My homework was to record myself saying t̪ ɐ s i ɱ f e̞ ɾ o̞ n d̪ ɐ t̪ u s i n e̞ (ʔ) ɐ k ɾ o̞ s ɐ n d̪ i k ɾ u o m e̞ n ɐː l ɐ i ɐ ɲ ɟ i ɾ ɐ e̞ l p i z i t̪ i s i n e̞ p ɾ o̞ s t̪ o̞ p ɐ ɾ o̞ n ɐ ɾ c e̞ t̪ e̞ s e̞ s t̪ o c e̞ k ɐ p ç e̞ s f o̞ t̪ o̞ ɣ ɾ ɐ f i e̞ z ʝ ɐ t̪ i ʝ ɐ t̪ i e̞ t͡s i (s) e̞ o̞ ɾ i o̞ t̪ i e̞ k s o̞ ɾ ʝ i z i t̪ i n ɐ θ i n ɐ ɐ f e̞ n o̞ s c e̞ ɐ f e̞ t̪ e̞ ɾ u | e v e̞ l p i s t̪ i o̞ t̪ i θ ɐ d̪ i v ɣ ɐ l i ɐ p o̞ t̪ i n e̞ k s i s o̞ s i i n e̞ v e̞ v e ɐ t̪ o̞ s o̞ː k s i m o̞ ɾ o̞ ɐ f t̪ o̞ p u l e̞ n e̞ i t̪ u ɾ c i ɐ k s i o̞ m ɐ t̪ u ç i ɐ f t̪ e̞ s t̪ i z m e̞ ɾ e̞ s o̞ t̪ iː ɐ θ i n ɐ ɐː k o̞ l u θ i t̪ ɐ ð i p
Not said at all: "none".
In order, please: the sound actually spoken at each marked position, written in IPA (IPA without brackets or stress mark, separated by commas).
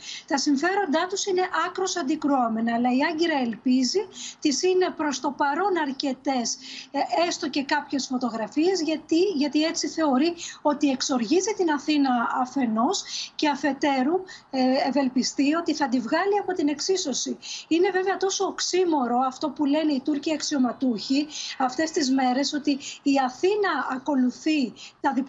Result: ʔ, θ